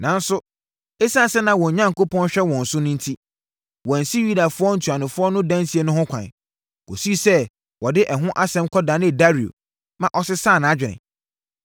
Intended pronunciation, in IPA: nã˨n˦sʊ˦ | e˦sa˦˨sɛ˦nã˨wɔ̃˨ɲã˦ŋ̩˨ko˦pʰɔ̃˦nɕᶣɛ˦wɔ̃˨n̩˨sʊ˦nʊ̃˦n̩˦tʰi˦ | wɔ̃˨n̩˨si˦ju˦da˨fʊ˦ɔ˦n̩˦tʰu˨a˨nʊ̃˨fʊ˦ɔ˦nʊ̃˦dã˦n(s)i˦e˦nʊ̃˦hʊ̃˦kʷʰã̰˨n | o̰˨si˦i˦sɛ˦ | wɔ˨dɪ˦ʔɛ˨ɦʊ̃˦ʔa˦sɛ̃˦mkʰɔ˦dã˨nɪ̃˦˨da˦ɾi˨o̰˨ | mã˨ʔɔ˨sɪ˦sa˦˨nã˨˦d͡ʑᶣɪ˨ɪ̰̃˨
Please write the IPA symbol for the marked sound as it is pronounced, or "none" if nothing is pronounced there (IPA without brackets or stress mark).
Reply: s